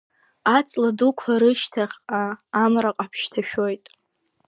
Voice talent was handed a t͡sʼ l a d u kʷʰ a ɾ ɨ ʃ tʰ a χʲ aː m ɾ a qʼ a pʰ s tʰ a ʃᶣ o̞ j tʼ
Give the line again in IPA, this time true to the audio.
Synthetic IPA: a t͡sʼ l a d u kʷʰ a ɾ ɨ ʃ tʰ a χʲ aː m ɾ a qʼ a pʰ ʃ tʰ a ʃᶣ o̞ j tʼ

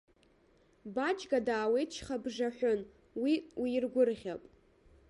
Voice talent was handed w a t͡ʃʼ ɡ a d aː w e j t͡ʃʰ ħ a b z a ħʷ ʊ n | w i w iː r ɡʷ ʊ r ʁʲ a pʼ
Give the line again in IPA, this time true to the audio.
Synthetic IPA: b a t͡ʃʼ ɡ a d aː w e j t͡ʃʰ χ a b ʐ a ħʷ ʊ n | w i w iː r ɡʷ ʊ r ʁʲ a pʼ

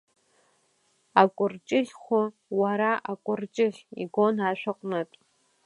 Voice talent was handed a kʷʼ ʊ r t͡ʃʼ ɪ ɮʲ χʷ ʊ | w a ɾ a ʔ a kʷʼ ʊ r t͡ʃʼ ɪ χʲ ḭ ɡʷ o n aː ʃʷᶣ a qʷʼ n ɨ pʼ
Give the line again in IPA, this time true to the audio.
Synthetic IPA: a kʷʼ ʊ r t͡ʃʼ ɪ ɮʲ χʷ ʊ | w a ɾ a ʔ a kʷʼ ʊ r t͡ʃʼ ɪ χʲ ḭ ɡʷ o n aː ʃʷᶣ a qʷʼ n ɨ tʼ

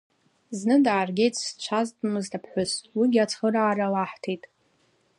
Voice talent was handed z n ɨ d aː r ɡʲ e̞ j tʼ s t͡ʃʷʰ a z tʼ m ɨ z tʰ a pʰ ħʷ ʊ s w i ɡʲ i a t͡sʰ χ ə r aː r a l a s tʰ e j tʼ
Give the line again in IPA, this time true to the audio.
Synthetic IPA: z n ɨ d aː r ɡʲ e̞ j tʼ s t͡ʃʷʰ a z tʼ m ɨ z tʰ a pʰ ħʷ ʊ s w i ɡʲ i a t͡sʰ χ ə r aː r a l a ħ tʰ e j tʼ

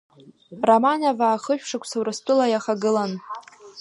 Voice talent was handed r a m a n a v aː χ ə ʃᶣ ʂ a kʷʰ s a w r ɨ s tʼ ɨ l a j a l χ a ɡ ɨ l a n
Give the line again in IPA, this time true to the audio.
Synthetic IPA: r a m a n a v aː χ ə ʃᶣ ʂ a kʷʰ s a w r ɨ s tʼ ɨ l a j a χ a ɡ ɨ l a n

